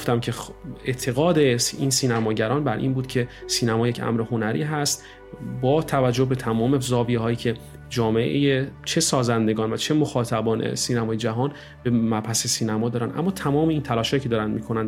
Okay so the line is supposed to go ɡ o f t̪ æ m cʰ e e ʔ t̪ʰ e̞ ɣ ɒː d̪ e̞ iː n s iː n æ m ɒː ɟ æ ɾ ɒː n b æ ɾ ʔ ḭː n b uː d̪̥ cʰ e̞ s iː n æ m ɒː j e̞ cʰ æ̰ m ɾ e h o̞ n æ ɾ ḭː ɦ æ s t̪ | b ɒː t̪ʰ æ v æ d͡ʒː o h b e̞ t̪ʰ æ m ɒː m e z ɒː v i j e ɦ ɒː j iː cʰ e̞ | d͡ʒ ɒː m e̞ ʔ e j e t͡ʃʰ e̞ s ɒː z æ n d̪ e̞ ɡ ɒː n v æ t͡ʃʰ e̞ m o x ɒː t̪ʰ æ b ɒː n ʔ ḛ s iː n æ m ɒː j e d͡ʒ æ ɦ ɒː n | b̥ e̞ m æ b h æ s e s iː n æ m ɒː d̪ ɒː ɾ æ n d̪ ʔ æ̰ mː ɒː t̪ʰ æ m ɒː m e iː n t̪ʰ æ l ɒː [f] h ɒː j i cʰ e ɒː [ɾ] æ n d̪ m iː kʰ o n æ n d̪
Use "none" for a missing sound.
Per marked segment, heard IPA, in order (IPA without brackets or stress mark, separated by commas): ʃ, ɾ